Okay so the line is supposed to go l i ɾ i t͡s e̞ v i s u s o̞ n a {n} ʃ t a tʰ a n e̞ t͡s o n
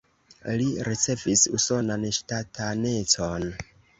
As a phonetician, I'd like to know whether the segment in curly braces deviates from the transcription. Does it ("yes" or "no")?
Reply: no